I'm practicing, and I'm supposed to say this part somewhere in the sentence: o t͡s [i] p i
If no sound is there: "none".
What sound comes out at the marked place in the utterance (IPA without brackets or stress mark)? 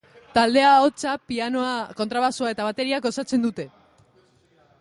a